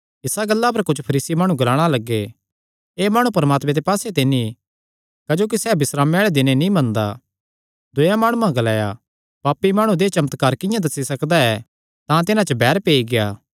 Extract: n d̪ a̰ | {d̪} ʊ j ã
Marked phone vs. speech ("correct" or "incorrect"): correct